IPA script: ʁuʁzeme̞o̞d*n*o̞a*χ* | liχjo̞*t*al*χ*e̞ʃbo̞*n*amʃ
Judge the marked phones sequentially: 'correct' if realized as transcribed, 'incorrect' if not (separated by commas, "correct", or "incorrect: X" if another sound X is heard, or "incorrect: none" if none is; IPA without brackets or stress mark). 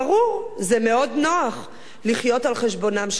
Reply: correct, correct, correct, correct, correct